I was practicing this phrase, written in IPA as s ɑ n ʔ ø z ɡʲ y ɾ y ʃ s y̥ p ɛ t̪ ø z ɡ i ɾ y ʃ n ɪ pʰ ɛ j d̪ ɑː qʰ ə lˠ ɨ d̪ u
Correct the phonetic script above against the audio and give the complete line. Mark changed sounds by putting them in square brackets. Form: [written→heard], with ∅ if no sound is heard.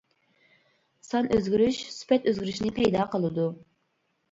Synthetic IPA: s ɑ n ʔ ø z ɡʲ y ɾ y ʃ s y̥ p ɛ t̪ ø z ɡ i ɾ y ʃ n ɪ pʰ ɛ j d̪ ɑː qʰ ə lˠ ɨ d̪ u